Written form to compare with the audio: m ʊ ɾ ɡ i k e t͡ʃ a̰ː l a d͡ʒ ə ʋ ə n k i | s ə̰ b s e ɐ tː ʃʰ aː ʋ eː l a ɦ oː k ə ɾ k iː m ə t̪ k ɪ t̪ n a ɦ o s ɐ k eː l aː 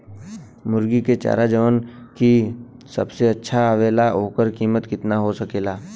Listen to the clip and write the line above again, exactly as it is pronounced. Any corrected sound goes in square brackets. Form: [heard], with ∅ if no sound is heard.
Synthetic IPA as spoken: m ʊ ɾ ɡ i k e t͡ʃ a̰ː [ɾ] a d͡ʒ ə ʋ ə n k i | s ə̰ b s e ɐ tː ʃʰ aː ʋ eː l a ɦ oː k ə ɾ k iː m ə t̪ k ɪ t̪ n a ɦ o s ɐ k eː l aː

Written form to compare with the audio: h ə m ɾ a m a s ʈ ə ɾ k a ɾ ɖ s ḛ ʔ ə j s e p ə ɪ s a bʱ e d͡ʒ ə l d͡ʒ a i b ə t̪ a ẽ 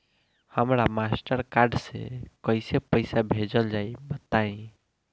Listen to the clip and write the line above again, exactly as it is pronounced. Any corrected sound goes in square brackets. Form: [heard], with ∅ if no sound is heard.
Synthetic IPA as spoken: h ə m ɾ a m a s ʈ ə ɾ k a ɾ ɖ s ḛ [k] ə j s e p ə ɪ s a bʱ e d͡ʒ ə l d͡ʒ a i b ə t̪ a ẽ

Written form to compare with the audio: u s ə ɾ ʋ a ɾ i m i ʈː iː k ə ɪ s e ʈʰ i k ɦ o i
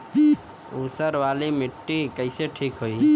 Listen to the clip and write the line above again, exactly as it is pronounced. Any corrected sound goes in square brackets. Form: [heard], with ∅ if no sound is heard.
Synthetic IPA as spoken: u s ə ɾ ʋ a [l] i m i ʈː [i] k ə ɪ s e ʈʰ i k ɦ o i

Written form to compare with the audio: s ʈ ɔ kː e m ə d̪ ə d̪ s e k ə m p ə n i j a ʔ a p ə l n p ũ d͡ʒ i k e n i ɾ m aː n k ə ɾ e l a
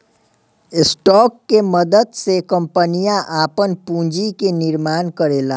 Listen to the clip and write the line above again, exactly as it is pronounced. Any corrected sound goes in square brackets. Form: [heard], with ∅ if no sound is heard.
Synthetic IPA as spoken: s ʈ ɔ kː e m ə d̪ ə d̪ s e k ə m p ə n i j a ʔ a p ə [∅] n p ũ d͡ʒ i k e n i ɾ m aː n k ə ɾ e l a

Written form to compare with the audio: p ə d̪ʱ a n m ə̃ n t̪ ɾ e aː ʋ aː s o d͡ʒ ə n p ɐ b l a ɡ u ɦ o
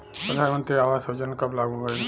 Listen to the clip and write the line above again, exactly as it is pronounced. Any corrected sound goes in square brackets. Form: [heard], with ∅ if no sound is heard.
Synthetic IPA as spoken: p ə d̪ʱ a n m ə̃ n t̪ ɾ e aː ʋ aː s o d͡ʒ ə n [k] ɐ b l a ɡ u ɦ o

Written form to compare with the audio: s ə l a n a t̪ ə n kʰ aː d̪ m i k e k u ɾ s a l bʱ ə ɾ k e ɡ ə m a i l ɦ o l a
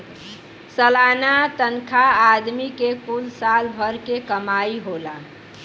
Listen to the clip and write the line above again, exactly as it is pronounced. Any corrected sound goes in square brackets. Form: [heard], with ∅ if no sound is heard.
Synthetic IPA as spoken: s ə l a n a t̪ ə n kʰ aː d̪ m i k e k u [l] s a l bʱ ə ɾ k e [k] ə m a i [∅] ɦ o l a

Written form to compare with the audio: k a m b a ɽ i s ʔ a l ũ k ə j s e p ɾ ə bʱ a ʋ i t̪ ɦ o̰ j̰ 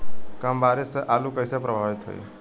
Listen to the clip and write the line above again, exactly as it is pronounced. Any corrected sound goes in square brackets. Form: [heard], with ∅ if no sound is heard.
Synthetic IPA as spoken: k a m b a [ɾ] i s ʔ a l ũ k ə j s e p ɾ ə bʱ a ʋ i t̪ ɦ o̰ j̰

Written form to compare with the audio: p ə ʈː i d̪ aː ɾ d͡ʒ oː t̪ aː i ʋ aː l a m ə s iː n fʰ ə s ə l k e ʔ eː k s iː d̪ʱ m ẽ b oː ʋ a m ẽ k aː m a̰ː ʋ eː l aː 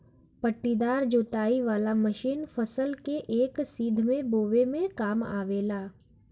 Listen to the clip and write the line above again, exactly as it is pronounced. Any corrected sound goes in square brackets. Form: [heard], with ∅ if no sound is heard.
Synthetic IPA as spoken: p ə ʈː i d̪ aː ɾ d͡ʒ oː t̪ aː i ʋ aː l a m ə [ʃ] iː n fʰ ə s ə l k e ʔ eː k s iː d̪ʱ m ẽ b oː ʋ [e] m ẽ k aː m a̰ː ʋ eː l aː

